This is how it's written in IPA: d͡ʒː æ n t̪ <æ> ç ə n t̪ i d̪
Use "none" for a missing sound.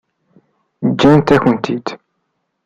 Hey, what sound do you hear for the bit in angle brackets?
æ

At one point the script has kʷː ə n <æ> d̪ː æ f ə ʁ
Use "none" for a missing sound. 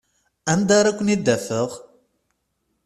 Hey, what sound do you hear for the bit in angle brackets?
i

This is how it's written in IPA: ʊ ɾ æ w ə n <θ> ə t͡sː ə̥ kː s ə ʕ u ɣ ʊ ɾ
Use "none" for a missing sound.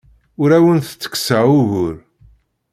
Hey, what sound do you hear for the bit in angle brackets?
θ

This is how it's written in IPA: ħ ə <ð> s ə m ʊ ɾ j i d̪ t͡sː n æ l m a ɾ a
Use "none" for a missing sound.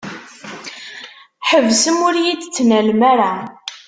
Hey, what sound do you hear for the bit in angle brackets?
v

